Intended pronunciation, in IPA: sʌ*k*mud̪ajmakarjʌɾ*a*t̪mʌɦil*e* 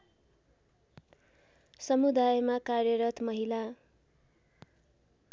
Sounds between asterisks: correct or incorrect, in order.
incorrect: none, incorrect: ʌ, incorrect: a

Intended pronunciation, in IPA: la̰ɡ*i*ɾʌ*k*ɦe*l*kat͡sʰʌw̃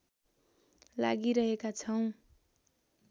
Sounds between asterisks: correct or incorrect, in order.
correct, incorrect: none, incorrect: none

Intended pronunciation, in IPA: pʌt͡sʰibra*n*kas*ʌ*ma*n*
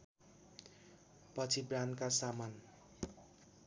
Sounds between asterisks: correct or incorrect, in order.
correct, incorrect: a, correct

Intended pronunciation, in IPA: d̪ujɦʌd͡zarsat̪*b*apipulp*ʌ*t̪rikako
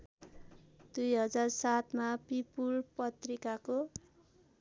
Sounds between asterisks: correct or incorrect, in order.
incorrect: m, correct

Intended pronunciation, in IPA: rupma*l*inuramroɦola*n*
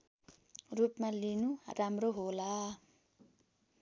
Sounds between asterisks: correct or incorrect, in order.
correct, incorrect: none

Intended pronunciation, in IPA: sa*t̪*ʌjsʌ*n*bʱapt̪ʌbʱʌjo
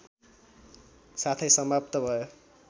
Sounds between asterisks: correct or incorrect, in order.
incorrect: t̪ʰ, incorrect: m

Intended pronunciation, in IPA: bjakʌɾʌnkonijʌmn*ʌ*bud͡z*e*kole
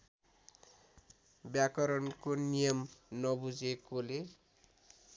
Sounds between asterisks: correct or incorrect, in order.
correct, correct

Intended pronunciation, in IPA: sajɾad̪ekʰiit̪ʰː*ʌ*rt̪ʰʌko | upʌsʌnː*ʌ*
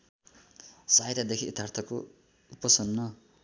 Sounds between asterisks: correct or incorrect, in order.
incorrect: a, correct

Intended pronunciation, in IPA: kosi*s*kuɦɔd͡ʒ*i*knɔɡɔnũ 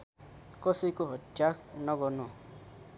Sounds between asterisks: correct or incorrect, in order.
incorrect: none, incorrect: a

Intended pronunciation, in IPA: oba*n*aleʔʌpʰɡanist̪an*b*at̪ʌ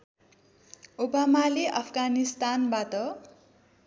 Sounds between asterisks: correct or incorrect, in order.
incorrect: m, correct

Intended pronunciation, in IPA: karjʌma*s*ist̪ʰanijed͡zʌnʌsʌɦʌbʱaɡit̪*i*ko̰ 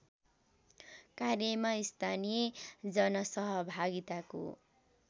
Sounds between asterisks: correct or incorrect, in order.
incorrect: none, incorrect: a

